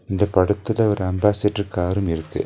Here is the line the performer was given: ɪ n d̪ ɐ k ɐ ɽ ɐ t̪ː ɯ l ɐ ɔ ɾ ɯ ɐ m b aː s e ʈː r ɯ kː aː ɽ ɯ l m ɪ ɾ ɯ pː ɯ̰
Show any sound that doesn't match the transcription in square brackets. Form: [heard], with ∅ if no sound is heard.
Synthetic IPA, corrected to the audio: ɪ n d̪ ɐ [p] ɐ ɽ ɐ t̪ː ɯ l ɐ ɔ ɾ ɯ ɐ m b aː s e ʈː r ɯ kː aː [ɾ] ɯ [∅] m ɪ ɾ ɯ [kː] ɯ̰